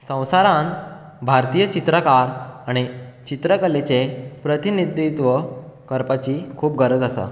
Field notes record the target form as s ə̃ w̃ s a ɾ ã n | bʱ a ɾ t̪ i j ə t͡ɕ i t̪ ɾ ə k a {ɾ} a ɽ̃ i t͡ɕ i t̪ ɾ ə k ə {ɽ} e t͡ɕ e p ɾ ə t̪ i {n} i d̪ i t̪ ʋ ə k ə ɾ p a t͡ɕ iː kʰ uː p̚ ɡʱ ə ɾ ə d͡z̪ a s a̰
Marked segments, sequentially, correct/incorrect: correct, incorrect, correct

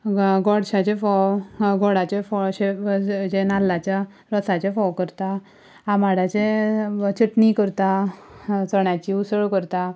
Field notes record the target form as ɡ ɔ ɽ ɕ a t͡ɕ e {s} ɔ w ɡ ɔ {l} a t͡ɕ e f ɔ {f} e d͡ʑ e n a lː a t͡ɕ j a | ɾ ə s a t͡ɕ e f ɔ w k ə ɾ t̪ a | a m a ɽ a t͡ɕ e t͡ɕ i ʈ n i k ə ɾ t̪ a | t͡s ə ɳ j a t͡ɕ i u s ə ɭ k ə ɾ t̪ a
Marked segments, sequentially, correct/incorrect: incorrect, incorrect, incorrect

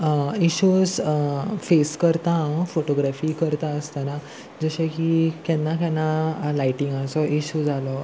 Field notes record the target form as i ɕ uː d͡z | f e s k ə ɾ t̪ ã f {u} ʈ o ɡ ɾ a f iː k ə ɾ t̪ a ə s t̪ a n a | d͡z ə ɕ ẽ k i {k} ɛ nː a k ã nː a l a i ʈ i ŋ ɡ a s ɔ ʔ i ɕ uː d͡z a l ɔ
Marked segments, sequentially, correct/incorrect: incorrect, correct

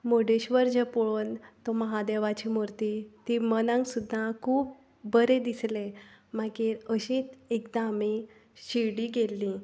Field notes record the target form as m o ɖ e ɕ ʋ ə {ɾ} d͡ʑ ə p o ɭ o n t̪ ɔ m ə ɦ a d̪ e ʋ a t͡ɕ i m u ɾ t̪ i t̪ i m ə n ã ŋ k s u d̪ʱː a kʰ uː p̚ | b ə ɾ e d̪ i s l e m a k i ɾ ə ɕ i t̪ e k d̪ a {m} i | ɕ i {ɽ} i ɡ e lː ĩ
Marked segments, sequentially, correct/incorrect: correct, correct, correct

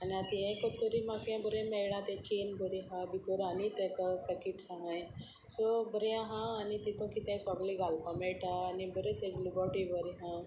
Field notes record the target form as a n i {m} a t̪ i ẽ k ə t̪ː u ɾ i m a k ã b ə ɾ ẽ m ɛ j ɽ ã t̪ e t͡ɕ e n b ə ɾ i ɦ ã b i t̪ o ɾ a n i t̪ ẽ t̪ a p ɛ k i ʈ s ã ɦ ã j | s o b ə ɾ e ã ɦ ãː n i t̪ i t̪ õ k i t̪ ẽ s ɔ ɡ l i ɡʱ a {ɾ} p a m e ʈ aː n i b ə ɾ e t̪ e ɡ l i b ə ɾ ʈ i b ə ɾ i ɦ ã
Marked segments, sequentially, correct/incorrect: incorrect, incorrect

